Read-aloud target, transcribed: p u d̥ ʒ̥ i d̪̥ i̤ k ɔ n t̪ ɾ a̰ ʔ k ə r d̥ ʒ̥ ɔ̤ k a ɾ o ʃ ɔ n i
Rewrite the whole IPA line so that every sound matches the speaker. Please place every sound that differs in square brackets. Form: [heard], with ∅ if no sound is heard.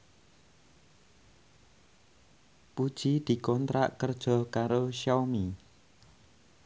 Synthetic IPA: p u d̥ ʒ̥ i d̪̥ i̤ k ɔ n t̪ ɾ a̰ ʔ k ə r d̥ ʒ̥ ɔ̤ k a ɾ o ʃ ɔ [m] i